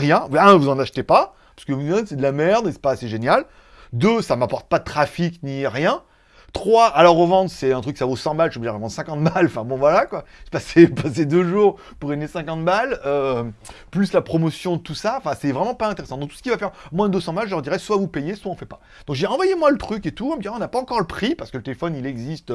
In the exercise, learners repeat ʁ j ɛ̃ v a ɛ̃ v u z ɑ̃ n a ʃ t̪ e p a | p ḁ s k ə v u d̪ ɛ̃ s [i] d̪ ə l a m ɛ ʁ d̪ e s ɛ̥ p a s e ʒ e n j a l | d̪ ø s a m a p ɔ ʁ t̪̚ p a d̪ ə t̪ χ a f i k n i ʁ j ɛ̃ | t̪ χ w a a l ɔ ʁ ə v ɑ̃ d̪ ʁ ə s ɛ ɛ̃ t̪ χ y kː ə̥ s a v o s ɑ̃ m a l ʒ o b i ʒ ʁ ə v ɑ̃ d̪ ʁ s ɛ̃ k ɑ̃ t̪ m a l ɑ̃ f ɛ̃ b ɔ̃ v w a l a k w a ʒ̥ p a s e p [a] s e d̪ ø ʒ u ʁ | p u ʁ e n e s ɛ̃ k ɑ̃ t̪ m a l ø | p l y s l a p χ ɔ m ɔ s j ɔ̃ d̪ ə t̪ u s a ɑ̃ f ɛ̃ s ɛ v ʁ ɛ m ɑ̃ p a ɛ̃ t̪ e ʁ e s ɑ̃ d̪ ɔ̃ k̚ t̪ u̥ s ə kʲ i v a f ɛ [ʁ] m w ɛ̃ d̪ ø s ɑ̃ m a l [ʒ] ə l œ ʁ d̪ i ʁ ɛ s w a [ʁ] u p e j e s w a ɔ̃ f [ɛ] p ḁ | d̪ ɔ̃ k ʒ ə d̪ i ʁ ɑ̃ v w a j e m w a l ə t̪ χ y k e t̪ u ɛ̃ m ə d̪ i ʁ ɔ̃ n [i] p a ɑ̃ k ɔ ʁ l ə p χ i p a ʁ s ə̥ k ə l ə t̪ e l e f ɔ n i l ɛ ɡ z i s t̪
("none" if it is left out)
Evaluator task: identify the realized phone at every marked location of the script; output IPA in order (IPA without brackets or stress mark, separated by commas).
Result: ɛ, a, ʁ, ʒ, v, ɛ, a